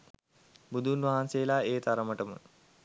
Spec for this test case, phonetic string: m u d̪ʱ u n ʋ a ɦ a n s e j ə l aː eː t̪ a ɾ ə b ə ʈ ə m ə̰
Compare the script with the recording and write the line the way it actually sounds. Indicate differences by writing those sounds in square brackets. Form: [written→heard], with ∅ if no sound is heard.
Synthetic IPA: [m→b] u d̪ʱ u n ʋ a ɦ a n s e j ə l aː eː t̪ a ɾ ə [b→m] ə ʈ ə m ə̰